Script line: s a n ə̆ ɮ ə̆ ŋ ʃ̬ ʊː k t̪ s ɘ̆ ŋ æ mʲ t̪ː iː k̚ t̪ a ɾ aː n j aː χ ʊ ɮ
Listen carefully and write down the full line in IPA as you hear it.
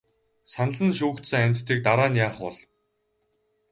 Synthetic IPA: s a n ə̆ ɮ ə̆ n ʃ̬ uː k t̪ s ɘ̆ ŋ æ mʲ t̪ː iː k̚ t̪ a ɾ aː n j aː χ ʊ ɮ

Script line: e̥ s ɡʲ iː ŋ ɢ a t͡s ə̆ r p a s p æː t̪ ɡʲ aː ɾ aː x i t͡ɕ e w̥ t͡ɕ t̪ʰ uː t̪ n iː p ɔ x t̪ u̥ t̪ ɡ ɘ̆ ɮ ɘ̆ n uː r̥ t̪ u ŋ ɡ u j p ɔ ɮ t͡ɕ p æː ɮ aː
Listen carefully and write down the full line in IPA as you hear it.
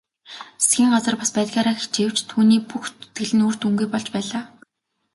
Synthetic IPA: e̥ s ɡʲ iː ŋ ɢ a t͡s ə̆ r p a s p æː t̪ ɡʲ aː ɾ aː x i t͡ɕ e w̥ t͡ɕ t̪ʰ uː n iː p u x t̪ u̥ t̪ ɡ ɘ̆ ɮ ɘ̆ n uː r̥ t̪ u ŋ ɡ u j p ɔ ɮ t͡ɕ p æː ɮ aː

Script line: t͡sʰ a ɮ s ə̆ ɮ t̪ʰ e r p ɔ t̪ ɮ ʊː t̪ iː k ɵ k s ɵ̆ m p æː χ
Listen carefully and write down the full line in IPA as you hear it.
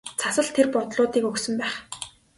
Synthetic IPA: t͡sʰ a s ə̆ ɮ t̪ʰ e r p ɔ t̪ ɮ ʊː t̪ iː k ɵ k s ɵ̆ m p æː χ

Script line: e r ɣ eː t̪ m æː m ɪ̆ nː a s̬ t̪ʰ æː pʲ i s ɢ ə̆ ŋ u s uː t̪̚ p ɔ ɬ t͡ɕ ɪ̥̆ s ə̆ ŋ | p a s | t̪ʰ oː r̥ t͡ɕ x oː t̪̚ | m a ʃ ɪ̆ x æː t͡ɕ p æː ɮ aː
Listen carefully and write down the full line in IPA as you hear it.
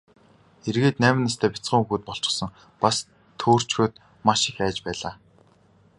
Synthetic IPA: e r ɣ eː t̪ n æː m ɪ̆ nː a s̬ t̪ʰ æː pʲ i t͡s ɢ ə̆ ŋ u x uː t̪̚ p ɔ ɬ t͡ɕ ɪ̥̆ s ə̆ ŋ | p a s | t̪ʰ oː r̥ t͡ɕ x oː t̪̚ | m a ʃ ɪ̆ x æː t͡ɕ p æː ɮ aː

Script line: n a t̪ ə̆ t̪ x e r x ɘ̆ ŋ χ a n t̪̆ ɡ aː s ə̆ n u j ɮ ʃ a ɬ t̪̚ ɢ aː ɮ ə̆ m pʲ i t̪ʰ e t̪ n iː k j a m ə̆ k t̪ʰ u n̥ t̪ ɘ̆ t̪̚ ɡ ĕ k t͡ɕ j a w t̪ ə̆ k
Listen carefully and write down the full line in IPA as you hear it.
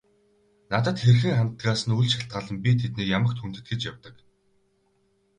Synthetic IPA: n a t̪ ə̆ t̪ x e r x ɘ̆ ŋ χ a n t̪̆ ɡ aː s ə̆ n u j ɮ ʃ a ɬ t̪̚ ɢ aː ɮ ə̆ m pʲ i t̪ʰ e t̪ n iː k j a m ə̆ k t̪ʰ u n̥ t̪ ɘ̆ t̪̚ ɡ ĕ t͡ɕ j a w t̪ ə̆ k

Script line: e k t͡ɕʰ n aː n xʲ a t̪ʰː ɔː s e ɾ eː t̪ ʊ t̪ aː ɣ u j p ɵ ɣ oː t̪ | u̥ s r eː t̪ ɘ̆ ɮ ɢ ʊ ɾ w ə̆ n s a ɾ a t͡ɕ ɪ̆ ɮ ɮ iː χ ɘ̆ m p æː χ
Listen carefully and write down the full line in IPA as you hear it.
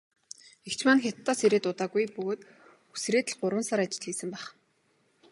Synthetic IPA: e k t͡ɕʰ m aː n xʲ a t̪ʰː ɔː s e ɾ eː t̪ ʊ t̪ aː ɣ u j p ɵ ɣ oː t̪ | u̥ s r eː t̪ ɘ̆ ɮ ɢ ʊ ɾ w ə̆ n s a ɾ a t͡ɕ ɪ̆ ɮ ɮ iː s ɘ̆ m p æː χ

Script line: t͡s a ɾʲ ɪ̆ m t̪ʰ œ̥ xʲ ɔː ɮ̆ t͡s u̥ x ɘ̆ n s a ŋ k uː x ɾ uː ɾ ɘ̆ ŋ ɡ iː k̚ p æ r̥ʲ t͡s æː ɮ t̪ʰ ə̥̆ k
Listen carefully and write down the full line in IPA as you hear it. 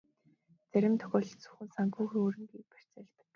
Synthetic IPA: t͡s æ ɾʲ ɪ̆ m t̪ʰ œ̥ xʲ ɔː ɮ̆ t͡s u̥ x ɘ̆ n s a ŋ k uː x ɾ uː ɾ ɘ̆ ŋ ɡ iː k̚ p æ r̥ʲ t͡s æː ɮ t̪ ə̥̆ k

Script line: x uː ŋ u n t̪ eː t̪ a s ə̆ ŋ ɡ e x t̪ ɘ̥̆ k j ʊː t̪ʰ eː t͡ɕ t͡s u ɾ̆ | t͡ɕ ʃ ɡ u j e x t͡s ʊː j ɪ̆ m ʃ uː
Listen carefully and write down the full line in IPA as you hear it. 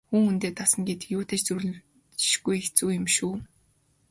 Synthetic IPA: x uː ŋ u n t̪ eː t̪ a s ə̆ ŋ ɡ e t̪ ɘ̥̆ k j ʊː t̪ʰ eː t͡ɕ t͡s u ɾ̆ | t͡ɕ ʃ ɡ u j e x t͡s uː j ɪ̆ m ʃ uː

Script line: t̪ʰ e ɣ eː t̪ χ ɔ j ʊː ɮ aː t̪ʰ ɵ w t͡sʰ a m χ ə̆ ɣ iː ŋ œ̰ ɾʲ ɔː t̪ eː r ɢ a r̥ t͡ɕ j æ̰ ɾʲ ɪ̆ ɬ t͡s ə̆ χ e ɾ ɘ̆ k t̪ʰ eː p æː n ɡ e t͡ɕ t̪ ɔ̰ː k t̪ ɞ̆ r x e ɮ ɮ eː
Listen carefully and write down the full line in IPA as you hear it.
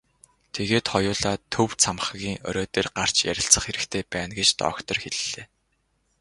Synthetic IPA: t̪ʰ e ɣ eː t̪ χ ɔ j ʊː ɮ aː t̪ʰ ɵ w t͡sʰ a m χ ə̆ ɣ iː ŋ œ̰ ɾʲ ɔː t̪ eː r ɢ a r̥ t͡ɕ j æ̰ ɾʲ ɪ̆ ɬ t͡s ə̆ χ e ɾ ɘ̆ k t̪ʰ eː p æː n ɡ e t͡ɕ t̪ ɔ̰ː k t̪ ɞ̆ r x e ɮ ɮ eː

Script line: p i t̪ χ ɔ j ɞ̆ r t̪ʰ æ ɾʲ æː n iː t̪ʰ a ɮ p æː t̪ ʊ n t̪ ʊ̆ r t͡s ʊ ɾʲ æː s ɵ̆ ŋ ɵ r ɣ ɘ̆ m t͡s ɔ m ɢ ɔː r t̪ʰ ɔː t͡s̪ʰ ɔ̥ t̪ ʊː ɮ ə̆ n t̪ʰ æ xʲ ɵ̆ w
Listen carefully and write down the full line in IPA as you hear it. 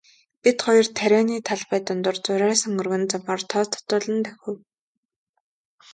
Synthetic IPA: p i t̪ χ ɔ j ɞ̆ r t̪ʰ æ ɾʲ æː n iː t̪ʰ a ɮ p æː t̪ ʊ n t̪ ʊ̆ r t͡s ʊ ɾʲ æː s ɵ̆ ŋ ɵ r ɣ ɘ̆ n t͡s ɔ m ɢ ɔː r t̪ʰ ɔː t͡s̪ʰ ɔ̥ t̪ ʊː ɮ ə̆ n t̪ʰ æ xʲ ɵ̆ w

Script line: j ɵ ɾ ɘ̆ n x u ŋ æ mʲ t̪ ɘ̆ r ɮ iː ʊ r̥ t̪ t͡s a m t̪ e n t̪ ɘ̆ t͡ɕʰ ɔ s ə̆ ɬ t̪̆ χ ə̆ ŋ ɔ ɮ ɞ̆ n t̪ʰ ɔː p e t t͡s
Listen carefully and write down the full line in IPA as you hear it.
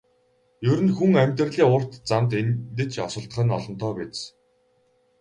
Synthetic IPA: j ɵ ɾ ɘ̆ n x u ŋ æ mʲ t̪ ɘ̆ r ɮ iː ʊ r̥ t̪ t͡s a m t̪ e n t̪ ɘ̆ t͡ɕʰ ɔ s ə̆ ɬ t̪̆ χ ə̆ n ɔ ɮ ɞ̆ n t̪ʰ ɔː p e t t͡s

